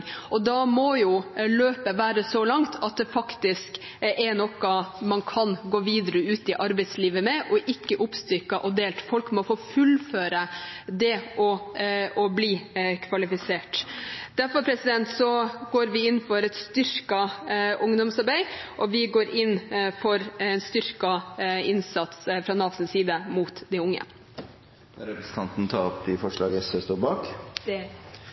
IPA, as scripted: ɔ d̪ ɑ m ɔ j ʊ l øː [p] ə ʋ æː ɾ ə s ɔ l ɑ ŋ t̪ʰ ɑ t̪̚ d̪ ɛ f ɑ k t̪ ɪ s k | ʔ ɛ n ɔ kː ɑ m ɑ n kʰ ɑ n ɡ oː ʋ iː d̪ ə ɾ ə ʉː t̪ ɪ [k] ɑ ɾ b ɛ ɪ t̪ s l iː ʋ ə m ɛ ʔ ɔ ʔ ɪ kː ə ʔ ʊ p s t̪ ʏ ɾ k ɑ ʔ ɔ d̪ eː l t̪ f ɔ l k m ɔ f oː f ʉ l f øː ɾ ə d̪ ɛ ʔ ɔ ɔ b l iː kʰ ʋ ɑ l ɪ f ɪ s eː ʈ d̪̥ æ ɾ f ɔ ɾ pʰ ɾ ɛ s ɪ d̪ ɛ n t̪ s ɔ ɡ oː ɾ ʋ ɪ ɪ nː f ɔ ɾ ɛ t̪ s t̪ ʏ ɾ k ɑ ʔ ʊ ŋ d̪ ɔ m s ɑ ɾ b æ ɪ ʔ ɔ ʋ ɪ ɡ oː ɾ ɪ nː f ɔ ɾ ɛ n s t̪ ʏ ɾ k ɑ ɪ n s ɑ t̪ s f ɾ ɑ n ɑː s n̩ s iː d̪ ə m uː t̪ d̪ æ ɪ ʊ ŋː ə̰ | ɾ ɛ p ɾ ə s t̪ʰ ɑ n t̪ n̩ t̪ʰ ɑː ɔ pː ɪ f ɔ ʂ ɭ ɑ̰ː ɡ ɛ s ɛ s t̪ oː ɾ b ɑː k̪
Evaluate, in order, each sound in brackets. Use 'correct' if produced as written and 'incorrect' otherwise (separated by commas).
correct, incorrect